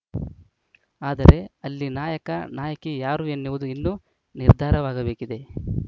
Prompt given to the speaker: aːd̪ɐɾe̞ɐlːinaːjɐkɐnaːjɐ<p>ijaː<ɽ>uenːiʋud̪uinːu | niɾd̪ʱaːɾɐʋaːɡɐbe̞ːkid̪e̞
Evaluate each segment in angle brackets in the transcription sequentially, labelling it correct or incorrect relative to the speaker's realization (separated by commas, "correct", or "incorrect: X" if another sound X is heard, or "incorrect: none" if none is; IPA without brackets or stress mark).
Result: incorrect: k, incorrect: ɾ